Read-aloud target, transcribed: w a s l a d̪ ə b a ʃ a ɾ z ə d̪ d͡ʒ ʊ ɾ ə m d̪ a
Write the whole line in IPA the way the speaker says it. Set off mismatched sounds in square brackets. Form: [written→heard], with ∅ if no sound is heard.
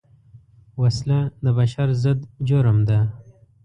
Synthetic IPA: w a s l a d̪ ə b a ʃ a ɾ z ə d̪ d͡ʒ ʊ ɾ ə m d̪ a